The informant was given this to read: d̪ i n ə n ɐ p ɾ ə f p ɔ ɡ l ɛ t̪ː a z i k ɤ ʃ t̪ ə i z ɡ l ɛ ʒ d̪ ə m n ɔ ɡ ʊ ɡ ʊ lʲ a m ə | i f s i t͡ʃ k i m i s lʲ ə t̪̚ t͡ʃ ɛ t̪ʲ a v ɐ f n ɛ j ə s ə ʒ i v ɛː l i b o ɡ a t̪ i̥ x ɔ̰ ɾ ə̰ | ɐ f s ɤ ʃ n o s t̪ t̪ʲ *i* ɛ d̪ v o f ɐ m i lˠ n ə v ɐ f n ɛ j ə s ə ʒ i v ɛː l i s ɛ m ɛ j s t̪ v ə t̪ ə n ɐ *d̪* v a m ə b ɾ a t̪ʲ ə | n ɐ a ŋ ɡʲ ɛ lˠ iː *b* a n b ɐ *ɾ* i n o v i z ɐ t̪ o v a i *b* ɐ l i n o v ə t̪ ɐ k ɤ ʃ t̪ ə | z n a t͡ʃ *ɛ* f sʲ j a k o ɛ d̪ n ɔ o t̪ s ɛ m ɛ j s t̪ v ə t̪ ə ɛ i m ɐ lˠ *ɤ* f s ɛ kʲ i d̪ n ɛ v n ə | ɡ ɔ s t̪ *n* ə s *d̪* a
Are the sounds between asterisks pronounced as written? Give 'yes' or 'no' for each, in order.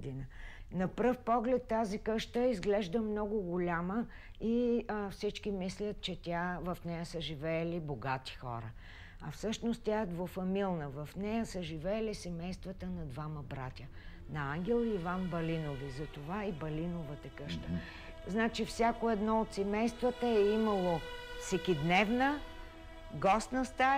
no, yes, no, no, yes, no, no, yes, no

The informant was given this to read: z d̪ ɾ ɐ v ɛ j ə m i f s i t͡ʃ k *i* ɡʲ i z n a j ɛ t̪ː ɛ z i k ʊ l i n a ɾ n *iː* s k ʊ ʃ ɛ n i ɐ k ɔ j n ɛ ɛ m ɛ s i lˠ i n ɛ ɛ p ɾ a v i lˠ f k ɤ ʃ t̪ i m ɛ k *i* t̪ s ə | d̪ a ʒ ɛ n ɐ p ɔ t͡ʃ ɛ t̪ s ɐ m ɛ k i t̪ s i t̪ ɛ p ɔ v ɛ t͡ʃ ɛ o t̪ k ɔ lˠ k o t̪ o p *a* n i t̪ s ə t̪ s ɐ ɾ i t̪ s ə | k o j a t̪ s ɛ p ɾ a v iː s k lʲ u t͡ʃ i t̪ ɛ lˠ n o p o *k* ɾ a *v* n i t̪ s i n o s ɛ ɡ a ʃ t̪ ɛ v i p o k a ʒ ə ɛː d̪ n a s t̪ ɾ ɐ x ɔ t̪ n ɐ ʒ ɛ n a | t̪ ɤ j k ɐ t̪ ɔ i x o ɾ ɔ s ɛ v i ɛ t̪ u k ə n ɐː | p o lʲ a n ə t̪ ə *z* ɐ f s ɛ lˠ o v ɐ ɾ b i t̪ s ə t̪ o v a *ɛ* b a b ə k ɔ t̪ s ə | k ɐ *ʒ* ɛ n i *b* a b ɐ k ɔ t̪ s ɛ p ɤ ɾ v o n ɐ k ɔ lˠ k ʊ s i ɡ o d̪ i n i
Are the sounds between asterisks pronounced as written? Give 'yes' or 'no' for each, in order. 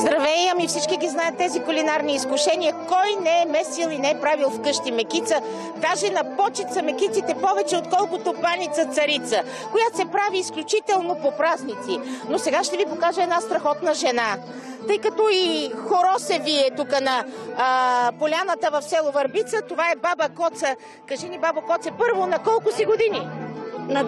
yes, yes, yes, yes, no, no, no, yes, yes, yes

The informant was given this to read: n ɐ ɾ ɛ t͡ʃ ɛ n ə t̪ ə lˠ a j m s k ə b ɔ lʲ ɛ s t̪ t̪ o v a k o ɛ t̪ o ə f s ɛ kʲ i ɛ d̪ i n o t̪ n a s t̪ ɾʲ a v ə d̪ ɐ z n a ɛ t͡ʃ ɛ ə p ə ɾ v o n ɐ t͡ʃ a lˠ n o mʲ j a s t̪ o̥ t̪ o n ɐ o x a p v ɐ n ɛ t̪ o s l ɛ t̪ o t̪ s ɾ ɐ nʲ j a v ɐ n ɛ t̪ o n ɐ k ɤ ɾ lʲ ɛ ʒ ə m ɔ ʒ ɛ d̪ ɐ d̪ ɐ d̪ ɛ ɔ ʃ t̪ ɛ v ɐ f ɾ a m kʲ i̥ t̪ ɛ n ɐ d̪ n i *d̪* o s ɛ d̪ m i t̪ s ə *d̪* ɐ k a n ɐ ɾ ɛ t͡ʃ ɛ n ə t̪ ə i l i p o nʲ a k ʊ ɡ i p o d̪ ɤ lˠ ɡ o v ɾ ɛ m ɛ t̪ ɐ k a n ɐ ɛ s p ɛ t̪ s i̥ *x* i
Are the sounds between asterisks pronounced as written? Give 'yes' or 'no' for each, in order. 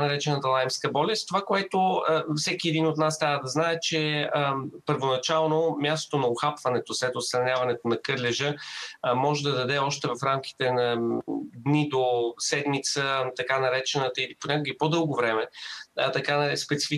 yes, no, no

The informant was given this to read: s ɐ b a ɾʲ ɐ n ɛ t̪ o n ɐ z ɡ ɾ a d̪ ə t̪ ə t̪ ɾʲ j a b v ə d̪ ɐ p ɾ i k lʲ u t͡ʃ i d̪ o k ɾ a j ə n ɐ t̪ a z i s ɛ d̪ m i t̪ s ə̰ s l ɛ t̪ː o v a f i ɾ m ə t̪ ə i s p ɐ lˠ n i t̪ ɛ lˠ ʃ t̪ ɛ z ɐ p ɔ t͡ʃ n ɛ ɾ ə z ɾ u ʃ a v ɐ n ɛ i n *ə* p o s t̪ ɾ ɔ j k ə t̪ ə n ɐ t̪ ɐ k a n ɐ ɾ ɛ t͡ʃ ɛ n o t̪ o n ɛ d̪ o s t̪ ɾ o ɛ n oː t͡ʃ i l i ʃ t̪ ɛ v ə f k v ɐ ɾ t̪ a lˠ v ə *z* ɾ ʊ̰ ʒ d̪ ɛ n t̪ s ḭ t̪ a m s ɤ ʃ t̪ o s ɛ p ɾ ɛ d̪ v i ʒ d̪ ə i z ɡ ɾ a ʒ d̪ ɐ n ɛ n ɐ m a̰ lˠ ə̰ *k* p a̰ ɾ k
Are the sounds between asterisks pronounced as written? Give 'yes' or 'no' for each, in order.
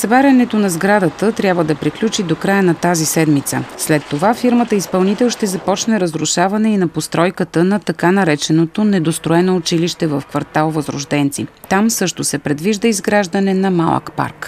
no, yes, yes

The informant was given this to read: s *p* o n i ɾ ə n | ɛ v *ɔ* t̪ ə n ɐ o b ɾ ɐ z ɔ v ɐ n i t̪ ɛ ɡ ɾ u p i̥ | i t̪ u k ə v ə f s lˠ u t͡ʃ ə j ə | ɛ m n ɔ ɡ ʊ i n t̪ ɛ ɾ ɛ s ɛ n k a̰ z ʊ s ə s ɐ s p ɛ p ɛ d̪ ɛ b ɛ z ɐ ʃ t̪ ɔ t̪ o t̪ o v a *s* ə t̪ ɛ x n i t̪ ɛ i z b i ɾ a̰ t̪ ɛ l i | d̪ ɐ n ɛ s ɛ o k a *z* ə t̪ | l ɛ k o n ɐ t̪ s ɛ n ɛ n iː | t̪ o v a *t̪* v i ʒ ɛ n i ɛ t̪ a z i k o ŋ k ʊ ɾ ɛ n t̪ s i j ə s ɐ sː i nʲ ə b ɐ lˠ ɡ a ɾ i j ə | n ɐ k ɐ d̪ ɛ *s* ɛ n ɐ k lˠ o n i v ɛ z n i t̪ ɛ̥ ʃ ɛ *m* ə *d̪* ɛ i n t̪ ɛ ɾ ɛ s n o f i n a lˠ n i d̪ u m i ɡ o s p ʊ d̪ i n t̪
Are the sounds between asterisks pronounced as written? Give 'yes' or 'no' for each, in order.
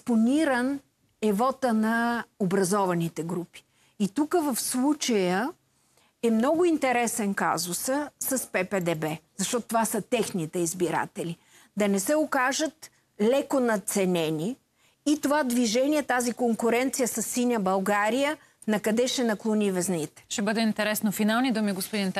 yes, yes, yes, no, no, no, no, yes

